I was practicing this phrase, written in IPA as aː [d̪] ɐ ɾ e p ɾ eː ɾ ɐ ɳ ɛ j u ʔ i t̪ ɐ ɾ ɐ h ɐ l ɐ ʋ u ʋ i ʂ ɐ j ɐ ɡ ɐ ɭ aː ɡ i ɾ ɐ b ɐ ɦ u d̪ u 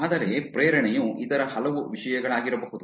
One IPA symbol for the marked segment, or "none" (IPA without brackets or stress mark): d̪